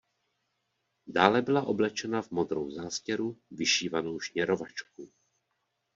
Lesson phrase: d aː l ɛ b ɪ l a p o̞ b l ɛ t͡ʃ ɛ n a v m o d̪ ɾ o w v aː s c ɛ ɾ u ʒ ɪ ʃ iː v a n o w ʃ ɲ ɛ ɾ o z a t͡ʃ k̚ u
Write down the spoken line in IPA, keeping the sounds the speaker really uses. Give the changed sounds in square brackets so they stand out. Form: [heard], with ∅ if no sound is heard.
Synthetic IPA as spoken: d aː l ɛ b ɪ l a [ʔ] o̞ b l ɛ t͡ʃ ɛ n a v m o d̪ ɾ o w [z] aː s c ɛ ɾ u [v] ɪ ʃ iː v a n o w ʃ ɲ ɛ ɾ o [v] a t͡ʃ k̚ u

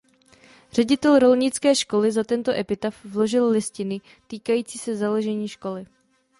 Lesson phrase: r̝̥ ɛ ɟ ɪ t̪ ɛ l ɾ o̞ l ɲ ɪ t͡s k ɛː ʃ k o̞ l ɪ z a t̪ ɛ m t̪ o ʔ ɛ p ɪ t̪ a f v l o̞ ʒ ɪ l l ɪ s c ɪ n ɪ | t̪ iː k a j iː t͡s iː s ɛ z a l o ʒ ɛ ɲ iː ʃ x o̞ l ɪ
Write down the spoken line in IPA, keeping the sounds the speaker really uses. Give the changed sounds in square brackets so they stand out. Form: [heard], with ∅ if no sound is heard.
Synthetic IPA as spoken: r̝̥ ɛ ɟ ɪ t̪ ɛ l ɾ o̞ l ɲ ɪ t͡s k ɛː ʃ k o̞ l ɪ z a t̪ ɛ [n] t̪ o ʔ ɛ p ɪ t̪ a f v l o̞ ʒ ɪ l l ɪ s c ɪ n ɪ | t̪ iː k a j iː t͡s iː s ɛ z a l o ʒ ɛ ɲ iː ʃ [k] o̞ l ɪ

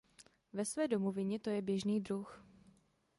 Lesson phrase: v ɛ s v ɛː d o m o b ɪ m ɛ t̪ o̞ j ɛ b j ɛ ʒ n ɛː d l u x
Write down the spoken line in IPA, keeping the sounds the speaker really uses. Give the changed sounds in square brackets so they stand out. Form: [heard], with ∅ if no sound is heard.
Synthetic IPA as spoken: v ɛ s v ɛː d o m o [v] ɪ [ɲ] ɛ t̪ o̞ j ɛ b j ɛ ʒ n [iː] d [ɾ] u x

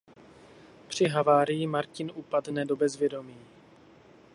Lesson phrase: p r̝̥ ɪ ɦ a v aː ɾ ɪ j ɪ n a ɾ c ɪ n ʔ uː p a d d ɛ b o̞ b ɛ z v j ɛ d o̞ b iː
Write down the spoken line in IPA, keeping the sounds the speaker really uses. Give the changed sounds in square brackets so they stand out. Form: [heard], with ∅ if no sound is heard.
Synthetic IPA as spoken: p r̝̥ ɪ ɦ a v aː ɾ ɪ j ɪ [m] a ɾ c ɪ n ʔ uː p a d [n] ɛ [d] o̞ b ɛ z v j ɛ d o̞ [m] iː

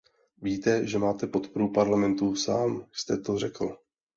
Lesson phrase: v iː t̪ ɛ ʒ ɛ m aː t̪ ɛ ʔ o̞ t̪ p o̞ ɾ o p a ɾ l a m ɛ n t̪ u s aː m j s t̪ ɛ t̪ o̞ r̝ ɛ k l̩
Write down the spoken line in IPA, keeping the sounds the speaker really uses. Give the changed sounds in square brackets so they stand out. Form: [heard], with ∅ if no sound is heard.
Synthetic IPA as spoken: v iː t̪ ɛ ʒ ɛ m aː t̪ ɛ [p] o̞ t̪ p o̞ ɾ [u] p a ɾ l a m ɛ n t̪ u s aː m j s t̪ ɛ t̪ o̞ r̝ ɛ k l̩

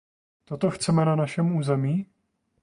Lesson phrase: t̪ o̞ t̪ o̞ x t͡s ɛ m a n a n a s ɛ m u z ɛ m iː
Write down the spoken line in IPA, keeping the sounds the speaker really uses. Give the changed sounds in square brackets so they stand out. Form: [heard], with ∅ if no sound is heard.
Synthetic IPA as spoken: t̪ o̞ t̪ o̞ x t͡s ɛ m [ɛ] n a n a [ʃ] ɛ m [uː] z ɛ m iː

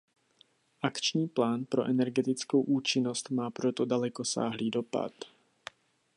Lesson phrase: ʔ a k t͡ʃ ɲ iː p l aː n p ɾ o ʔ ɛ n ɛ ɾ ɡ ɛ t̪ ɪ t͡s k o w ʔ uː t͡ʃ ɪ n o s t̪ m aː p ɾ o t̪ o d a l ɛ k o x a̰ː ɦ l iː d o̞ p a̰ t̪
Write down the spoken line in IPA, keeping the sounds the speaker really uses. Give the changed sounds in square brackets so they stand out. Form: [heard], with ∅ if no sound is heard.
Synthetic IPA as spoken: ʔ a k t͡ʃ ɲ iː p l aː n p ɾ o ʔ ɛ n ɛ ɾ ɡ ɛ t̪ ɪ t͡s k o w ʔ uː t͡ʃ ɪ n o s t̪ m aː p ɾ o t̪ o d a l ɛ k o [s] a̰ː ɦ l iː d o̞ p a̰ t̪

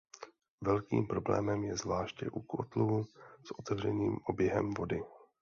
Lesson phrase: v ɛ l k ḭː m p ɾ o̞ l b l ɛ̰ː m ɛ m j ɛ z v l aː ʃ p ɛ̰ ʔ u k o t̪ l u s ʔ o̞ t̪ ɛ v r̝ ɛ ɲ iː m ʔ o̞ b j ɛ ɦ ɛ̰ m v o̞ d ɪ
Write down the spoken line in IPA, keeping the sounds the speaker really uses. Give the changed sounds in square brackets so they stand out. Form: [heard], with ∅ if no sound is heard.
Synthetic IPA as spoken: v ɛ l k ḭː m p ɾ o̞ [∅] b l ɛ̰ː m ɛ m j ɛ z v l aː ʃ [c] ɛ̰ ʔ u k o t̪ l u s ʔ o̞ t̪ ɛ v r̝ ɛ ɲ iː m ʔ o̞ b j ɛ ɦ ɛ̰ m v o̞ d ɪ

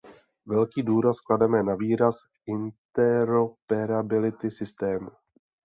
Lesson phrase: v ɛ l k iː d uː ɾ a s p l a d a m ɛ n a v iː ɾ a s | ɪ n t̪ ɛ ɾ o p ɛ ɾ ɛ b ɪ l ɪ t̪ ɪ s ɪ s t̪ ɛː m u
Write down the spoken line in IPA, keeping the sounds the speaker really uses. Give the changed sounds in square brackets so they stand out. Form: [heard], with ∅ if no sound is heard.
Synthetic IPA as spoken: v ɛ l k iː d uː ɾ a s [k] l a d [ɛ] m ɛ n a v iː ɾ a s | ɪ n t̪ ɛ ɾ o p ɛ ɾ [a] b ɪ l ɪ t̪ ɪ s ɪ s t̪ ɛː m u

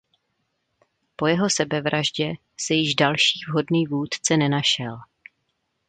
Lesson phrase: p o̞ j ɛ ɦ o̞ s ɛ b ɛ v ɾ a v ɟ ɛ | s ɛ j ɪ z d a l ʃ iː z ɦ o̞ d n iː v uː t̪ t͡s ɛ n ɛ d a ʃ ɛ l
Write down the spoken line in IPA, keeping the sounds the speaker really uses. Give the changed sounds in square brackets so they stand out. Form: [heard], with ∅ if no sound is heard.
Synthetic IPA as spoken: p o̞ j ɛ ɦ o̞ s ɛ b ɛ v ɾ a [ʒ] ɟ ɛ | s ɛ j ɪ [ʒ] d a l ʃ iː [v] ɦ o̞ d n iː v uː t̪ t͡s ɛ n ɛ [n] a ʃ ɛ l

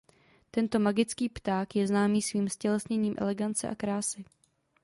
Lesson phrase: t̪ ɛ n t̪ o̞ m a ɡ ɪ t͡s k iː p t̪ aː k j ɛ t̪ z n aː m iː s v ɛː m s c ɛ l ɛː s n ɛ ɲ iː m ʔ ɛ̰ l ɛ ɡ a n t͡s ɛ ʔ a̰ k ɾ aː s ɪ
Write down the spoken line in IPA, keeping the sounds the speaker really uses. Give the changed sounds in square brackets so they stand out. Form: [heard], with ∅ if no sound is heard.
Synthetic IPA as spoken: t̪ ɛ n t̪ o̞ m a ɡ ɪ t͡s k iː p t̪ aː k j ɛ [∅] z n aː m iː s v [iː] m s c ɛ l [ɛ] s [ɲ] ɛ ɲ iː m ʔ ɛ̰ l ɛ ɡ a n t͡s ɛ ʔ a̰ k ɾ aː s ɪ

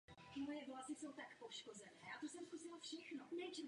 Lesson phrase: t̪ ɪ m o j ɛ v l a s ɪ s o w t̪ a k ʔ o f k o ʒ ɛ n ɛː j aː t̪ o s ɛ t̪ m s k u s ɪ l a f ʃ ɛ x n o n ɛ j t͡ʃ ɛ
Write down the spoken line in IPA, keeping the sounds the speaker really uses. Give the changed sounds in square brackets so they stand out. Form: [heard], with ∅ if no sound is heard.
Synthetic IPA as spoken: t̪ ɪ m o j ɛ v l a s ɪ s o w t̪ a k [p] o [ʃ] k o [z] ɛ n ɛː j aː t̪ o s ɛ [∅] m s k u s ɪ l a f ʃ ɛ x n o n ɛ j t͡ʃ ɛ

